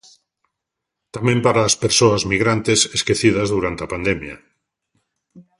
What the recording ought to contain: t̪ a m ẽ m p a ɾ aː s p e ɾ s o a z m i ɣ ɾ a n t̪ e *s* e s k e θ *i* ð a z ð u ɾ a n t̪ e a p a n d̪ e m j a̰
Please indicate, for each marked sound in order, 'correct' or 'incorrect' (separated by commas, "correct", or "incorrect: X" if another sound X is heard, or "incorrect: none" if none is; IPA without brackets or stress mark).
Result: correct, correct